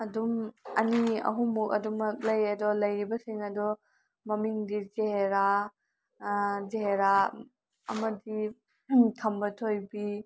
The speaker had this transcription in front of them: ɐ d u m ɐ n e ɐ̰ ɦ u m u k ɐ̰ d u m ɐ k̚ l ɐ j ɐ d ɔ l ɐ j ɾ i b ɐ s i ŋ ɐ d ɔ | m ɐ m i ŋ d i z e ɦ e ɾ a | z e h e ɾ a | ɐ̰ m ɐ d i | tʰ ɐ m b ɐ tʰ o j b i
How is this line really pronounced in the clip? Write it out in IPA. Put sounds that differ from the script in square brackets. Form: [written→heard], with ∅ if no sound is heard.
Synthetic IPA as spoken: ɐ d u m ɐ n [e→i] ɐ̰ ɦ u m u k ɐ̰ d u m ɐ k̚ l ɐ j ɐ d ɔ l ɐ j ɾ i b ɐ s i ŋ ɐ d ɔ | m ɐ m i ŋ d i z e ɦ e ɾ a | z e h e ɾ a | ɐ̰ m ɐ d i | tʰ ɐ m b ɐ tʰ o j b i